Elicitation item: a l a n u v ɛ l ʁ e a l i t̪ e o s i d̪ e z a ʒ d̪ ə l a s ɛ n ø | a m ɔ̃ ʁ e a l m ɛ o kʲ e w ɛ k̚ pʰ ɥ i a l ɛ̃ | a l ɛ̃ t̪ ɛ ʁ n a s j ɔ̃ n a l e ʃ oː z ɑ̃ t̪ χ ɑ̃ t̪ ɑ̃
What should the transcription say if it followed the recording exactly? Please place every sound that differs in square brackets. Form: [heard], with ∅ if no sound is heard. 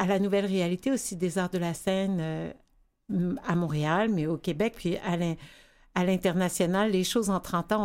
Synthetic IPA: a l a n u v ɛ l ʁ e a l i t̪ e o s i d̪ e z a [ʁ] d̪ ə l a s ɛ n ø | a m ɔ̃ ʁ e a l m ɛ o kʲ e [b] ɛ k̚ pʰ ɥ i a l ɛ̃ | a l ɛ̃ t̪ ɛ ʁ n a s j [ɔ] n a [lː] e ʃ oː z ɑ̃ t̪ χ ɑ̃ t̪ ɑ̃